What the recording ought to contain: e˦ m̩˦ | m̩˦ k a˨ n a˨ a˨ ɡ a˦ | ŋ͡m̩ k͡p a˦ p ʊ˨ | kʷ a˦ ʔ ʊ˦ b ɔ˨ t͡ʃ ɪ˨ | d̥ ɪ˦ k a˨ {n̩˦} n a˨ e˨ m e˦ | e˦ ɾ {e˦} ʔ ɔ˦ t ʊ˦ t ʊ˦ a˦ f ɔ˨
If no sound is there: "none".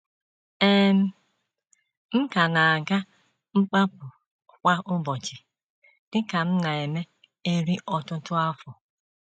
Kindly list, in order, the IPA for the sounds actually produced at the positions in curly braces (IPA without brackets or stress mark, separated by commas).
m̩˦, i˦